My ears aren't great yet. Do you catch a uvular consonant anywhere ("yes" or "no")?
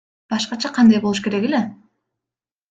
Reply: yes